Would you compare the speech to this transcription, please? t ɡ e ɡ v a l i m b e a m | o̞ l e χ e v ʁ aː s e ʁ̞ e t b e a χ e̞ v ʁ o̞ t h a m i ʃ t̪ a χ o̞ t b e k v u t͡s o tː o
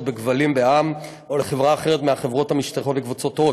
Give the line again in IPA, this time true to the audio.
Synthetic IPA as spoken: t b e ɡ v a l i m b e a m | o̞ l e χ e v ʁ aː χ e ʁ̞ e t m e a χ e̞ v ʁ o̞ t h a m i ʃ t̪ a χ o̞ t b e k v u t͡s o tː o